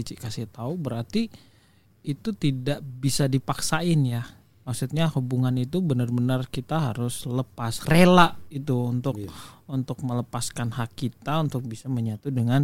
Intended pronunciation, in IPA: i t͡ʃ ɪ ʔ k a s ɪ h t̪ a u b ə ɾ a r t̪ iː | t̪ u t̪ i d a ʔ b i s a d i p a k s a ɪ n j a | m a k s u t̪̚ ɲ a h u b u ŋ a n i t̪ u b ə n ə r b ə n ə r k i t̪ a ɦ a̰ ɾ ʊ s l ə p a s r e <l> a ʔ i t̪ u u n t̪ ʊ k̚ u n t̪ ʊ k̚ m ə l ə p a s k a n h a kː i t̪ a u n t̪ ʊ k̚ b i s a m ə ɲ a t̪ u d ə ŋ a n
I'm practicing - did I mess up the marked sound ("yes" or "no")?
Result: no